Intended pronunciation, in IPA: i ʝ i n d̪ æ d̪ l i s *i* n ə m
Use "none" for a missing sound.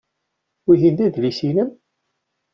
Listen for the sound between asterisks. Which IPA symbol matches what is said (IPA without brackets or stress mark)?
i